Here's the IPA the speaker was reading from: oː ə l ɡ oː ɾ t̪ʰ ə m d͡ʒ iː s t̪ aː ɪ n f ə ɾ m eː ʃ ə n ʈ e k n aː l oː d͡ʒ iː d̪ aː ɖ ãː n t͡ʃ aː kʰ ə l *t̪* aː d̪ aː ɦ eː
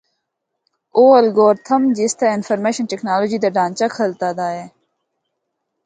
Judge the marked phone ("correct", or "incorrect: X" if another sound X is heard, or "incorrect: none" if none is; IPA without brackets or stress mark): correct